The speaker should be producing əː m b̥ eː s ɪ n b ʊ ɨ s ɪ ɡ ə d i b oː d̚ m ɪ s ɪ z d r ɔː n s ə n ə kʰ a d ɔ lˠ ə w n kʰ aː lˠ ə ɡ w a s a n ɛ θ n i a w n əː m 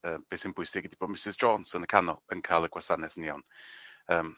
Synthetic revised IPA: əː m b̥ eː s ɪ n b ʊ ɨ s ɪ ɡ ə d i b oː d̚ m ɪ s ɪ z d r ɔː n s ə n ə kʰ a n ɔ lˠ ə n kʰ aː lˠ ə ɡ w a s a n ɛ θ n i a w n əː m